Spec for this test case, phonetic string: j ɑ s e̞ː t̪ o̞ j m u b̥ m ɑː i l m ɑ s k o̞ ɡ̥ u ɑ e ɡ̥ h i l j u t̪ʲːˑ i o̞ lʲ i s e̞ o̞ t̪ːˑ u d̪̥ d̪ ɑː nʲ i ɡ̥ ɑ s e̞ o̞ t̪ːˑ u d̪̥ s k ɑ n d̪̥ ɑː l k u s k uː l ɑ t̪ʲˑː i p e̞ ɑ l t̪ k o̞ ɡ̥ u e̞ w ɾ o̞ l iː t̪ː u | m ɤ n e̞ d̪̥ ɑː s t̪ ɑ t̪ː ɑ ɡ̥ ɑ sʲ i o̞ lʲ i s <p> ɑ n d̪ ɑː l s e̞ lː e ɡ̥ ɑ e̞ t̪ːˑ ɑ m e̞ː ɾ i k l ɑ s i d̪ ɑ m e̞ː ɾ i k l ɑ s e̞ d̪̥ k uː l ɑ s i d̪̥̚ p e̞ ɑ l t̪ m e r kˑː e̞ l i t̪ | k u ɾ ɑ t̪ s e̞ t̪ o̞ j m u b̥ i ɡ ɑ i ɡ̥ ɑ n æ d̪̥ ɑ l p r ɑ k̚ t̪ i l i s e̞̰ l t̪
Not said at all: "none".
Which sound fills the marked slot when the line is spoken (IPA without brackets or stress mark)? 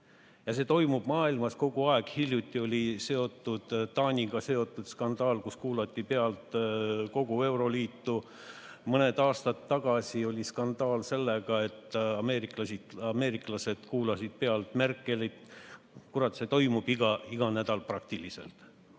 k